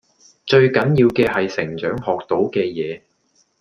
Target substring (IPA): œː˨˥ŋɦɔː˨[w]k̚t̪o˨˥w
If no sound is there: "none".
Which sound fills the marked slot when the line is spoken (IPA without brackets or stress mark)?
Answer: none